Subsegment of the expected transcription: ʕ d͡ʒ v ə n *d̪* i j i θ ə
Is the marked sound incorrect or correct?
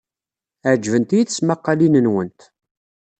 incorrect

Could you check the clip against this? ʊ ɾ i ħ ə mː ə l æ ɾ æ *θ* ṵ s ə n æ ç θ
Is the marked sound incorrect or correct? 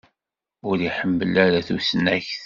correct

